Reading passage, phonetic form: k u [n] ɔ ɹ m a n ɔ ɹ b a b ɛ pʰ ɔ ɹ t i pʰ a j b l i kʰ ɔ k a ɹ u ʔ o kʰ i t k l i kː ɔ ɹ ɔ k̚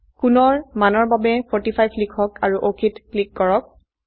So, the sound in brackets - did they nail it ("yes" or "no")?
yes